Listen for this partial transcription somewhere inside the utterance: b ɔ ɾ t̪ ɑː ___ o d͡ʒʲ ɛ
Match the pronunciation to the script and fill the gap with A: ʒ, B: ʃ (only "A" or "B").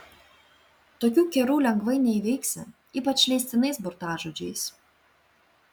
A